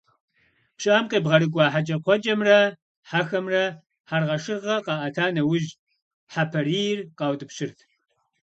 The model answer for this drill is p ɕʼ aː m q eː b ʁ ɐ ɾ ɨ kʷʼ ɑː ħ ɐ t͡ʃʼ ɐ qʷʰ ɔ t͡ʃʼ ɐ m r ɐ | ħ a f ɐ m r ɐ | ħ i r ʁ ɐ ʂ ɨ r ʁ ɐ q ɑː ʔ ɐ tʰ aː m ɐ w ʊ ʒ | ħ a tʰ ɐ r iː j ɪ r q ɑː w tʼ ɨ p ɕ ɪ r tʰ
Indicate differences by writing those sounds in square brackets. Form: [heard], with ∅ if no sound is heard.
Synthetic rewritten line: p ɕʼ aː m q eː b ʁ ɐ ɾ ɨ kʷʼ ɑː ħ [a] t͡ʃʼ ɐ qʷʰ ɔ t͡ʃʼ ɐ m r ɐ | ħ a [x] ɐ m r ɐ | ħ [a] r ʁ ɐ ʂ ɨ r ʁ ɐ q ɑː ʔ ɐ tʰ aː [n] ɐ w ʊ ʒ | ħ a [pʰ] ɐ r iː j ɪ r q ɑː w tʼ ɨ p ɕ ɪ r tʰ